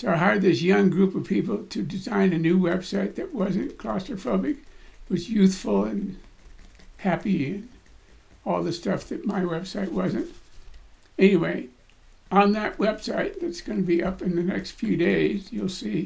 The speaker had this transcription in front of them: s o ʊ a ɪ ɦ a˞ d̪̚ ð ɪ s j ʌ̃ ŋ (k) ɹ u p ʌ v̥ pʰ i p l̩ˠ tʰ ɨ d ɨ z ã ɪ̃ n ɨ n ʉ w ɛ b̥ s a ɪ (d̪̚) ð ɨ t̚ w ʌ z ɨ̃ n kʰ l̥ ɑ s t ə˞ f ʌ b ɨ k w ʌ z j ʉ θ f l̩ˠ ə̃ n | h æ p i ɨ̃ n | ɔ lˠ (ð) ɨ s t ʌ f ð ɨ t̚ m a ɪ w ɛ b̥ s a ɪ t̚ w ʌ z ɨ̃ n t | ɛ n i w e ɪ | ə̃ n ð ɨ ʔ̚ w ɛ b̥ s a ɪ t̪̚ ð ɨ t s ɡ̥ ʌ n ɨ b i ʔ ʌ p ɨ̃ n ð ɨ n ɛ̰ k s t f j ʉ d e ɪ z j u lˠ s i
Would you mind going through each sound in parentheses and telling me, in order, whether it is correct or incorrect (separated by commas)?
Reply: incorrect, incorrect, correct